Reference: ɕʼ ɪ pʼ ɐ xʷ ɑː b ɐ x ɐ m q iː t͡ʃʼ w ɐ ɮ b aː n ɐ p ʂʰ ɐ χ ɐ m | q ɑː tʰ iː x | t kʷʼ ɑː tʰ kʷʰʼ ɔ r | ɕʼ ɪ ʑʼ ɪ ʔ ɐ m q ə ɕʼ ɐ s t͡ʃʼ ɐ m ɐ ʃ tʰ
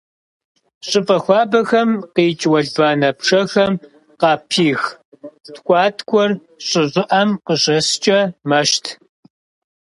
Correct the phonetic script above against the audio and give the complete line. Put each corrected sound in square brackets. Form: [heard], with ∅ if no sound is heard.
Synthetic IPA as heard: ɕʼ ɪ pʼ ɐ xʷ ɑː b ɐ x ɐ m q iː t͡ʃʼ w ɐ ɮ b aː n ɐ p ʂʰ ɐ [x] ɐ m | q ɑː [pʰ] iː x | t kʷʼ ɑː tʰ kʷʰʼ ɔ r | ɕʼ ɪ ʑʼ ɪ ʔ ɐ m q ə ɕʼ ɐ s t͡ʃʼ ɐ m ɐ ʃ tʰ